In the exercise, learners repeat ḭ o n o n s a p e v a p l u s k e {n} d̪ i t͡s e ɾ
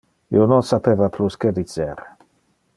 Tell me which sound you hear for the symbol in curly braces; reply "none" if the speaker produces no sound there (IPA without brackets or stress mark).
none